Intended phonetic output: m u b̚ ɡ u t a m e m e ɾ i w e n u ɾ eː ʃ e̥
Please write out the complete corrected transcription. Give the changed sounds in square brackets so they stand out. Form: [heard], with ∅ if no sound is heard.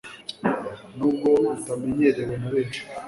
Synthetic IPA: [n] u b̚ ɡ [o] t a m e [ɲ] e ɾ [e] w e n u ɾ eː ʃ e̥